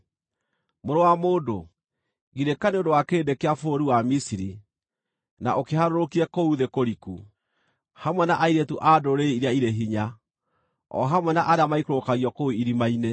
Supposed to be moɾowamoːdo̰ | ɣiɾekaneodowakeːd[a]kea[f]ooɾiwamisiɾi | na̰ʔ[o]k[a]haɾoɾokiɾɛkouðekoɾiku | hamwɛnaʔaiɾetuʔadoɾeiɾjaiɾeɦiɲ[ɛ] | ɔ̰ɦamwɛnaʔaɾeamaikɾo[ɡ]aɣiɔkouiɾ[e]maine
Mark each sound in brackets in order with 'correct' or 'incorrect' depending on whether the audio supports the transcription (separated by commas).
incorrect, correct, correct, incorrect, incorrect, incorrect, incorrect